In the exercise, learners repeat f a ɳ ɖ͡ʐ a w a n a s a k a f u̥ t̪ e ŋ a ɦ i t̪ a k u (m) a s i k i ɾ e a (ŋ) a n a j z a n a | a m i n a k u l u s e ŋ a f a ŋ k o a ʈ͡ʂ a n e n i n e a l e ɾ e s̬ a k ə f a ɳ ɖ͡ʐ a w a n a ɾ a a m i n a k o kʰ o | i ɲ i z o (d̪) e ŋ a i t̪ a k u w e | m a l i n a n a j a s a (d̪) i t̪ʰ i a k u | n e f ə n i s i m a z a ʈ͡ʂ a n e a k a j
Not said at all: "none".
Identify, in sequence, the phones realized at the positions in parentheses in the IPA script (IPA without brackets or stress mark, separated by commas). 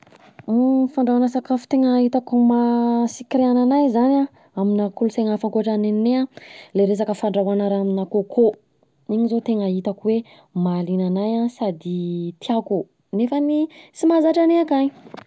m, n, t̪, d̪